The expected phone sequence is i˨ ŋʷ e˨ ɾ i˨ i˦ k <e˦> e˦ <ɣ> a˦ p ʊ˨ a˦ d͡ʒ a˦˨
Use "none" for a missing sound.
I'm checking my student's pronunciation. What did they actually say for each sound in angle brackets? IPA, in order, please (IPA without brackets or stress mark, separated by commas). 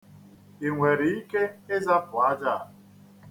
e˦, z